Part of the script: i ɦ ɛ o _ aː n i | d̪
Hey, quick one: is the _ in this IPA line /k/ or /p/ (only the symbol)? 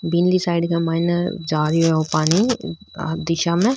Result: p